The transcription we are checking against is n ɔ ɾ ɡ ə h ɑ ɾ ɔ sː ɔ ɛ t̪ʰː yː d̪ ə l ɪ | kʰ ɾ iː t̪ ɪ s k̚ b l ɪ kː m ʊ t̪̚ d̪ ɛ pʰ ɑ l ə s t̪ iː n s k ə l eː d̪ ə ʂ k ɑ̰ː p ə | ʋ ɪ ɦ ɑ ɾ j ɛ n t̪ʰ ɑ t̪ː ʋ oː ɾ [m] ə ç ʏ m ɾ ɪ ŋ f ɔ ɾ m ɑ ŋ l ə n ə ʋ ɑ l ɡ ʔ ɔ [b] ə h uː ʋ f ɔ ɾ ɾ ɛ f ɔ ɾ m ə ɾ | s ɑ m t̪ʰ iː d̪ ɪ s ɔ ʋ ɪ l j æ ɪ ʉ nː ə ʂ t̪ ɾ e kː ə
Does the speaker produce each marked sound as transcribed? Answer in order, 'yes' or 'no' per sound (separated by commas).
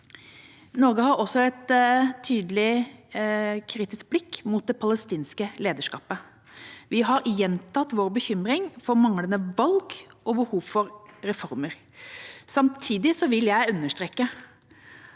no, yes